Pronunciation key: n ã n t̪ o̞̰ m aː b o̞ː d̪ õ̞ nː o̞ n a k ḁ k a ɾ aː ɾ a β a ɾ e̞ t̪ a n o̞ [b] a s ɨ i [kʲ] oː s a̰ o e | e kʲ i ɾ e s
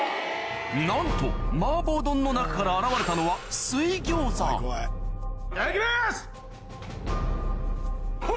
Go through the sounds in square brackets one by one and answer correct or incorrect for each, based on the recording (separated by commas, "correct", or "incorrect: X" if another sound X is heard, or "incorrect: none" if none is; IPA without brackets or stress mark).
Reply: incorrect: β, incorrect: ɡʲ